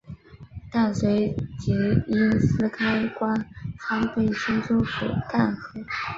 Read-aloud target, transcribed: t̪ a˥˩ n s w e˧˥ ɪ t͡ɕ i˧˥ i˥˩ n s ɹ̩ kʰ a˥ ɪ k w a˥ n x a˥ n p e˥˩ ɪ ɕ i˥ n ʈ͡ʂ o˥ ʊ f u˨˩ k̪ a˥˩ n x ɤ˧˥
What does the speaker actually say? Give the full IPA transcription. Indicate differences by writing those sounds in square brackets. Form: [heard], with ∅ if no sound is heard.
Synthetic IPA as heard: t̪ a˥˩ n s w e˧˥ ɪ t͡ɕ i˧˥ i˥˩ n s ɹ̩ kʰ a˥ ɪ k w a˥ n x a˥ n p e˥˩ ɪ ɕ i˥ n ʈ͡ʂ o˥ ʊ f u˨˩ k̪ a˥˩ n x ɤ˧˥